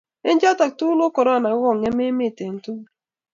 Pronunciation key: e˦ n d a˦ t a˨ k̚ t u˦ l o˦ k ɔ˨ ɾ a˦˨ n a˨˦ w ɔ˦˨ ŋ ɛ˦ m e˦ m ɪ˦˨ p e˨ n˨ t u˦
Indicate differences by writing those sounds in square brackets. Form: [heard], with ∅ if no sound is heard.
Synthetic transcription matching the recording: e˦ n [d͡ʒ] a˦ t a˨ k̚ t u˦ l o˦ k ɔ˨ ɾ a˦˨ n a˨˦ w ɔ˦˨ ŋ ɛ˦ m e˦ m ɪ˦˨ [t] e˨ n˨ t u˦

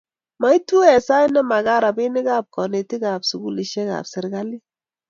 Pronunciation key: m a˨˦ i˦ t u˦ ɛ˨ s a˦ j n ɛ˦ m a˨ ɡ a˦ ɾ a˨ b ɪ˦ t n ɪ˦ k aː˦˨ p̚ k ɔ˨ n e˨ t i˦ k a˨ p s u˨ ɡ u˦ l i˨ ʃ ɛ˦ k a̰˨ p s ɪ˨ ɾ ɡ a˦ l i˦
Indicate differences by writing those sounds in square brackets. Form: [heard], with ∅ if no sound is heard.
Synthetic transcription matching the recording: m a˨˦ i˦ t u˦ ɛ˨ s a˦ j n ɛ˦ m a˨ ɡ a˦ ɾ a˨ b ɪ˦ [∅] n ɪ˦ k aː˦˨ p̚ k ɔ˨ n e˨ t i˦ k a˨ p s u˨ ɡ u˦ l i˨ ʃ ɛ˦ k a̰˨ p s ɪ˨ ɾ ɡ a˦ l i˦

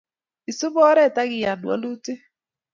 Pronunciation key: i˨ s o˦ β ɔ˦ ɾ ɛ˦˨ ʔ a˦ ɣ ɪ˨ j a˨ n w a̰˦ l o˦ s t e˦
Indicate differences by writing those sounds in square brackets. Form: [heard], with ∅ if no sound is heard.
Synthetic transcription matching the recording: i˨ s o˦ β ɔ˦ ɾ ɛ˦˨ [t] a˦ ɣ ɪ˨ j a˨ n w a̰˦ l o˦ [∅] t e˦

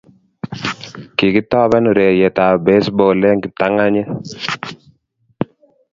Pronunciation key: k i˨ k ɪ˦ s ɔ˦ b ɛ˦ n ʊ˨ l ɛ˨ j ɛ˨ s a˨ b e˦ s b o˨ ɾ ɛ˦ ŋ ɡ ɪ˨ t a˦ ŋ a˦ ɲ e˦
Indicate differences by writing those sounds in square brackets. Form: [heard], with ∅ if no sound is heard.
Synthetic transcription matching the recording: k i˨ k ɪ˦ [t] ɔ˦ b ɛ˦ n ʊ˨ [ɾ] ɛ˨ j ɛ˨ [t] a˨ b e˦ s b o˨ [l] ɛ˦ ŋ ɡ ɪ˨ t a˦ ŋ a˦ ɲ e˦

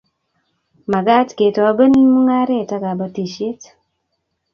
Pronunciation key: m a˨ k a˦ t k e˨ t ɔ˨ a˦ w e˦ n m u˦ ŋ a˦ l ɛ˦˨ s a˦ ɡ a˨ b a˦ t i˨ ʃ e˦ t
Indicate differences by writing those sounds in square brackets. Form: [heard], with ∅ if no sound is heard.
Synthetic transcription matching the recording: m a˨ [ɡ] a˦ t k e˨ t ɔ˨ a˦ [b] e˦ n m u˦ ŋ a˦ [ɾ] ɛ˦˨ [t] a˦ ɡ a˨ b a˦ t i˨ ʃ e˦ t

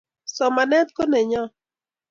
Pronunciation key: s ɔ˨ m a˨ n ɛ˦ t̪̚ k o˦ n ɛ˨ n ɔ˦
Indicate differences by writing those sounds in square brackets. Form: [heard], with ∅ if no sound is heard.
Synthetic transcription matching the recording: s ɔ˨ m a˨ n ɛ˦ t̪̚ k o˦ n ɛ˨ [ɲ] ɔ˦

